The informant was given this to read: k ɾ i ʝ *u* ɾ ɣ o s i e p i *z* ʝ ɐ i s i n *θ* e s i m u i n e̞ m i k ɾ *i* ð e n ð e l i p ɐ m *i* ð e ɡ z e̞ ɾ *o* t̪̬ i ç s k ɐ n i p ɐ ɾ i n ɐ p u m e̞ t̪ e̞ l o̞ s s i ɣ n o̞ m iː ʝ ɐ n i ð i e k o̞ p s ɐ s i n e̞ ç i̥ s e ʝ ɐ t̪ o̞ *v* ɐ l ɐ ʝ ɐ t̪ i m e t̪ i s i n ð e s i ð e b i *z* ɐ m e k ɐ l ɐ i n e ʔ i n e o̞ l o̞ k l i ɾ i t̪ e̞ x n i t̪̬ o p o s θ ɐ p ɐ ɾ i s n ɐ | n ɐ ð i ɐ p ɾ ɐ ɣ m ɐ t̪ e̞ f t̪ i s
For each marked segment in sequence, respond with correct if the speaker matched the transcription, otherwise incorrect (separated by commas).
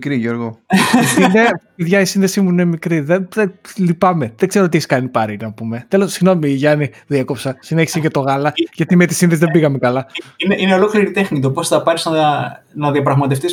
incorrect, incorrect, incorrect, correct, incorrect, correct, incorrect, incorrect